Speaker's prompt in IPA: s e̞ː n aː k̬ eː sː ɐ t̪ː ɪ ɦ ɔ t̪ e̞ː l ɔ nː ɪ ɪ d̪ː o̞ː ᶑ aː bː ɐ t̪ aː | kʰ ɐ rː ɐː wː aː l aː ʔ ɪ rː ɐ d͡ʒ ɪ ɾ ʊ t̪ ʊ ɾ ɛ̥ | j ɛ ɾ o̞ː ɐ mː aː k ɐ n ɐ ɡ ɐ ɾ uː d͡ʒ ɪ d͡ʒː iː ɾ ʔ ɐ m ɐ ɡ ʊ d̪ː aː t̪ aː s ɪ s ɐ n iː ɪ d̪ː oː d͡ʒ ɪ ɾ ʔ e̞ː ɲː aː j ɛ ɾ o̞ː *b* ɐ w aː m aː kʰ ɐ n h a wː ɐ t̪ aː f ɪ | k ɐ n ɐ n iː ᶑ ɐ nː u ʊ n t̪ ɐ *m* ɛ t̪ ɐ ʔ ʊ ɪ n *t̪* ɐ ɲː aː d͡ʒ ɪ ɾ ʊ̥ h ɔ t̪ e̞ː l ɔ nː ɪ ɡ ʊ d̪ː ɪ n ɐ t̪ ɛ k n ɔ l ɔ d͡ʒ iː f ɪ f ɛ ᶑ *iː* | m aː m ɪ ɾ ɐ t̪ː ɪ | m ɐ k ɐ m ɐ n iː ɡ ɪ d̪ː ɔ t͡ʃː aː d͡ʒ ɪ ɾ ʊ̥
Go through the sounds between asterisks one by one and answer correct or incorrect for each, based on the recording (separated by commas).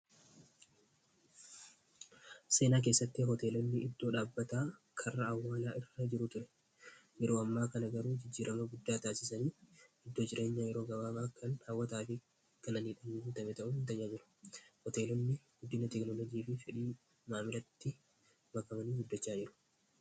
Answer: incorrect, correct, correct, correct